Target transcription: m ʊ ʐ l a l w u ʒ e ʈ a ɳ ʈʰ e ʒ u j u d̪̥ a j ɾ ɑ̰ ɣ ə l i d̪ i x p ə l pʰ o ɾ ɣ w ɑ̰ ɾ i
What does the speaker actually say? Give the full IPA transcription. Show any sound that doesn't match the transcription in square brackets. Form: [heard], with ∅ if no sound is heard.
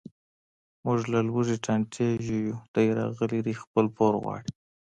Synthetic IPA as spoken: m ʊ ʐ l a l w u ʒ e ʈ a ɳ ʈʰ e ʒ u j u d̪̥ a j ɾ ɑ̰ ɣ ə l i d̪ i x p ə l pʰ o ɾ ɣ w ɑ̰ [ɽ] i